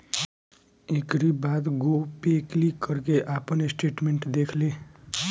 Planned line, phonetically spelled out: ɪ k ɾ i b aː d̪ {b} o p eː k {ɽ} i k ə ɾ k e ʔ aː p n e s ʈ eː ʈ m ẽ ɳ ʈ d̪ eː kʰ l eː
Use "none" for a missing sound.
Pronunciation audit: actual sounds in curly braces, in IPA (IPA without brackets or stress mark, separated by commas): ɡ, l